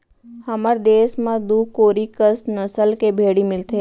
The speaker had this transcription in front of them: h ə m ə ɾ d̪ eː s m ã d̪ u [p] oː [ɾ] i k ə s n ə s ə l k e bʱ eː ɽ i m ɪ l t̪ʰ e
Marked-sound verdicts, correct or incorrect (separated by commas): incorrect, correct